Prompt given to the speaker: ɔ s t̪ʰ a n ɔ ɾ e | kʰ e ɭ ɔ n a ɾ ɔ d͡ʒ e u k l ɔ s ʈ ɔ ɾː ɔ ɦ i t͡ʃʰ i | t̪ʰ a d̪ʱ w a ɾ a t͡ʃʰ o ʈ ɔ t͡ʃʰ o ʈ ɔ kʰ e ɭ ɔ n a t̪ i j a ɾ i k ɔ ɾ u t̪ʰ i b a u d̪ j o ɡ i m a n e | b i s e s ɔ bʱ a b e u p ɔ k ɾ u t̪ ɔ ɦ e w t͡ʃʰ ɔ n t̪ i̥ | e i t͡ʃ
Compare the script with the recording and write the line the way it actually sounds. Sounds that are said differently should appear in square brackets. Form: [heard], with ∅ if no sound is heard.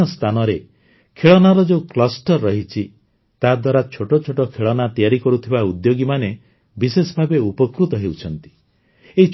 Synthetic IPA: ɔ s t̪ʰ a n ɔ ɾ e | kʰ e ɭ ɔ n a ɾ ɔ d͡ʒ e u k l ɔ s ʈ ɔ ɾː ɔ ɦ i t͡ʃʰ i | [t̪] a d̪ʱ w a ɾ a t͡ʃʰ o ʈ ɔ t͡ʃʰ o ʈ ɔ kʰ e ɭ ɔ n a t̪ i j a ɾ i k ɔ ɾ u t̪ʰ i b a u d̪ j o ɡ i m a n e | b i s e s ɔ bʱ a b e u p ɔ k ɾ u t̪ ɔ ɦ e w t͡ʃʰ ɔ n t̪ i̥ | e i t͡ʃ